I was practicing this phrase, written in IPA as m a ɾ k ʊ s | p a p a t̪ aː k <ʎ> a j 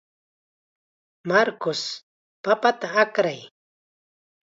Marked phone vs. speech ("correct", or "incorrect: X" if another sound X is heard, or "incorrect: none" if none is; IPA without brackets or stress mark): incorrect: ɾ